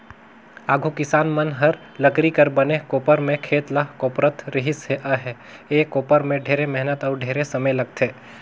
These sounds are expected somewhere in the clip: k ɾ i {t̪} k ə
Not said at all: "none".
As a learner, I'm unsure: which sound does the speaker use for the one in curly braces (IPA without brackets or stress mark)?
none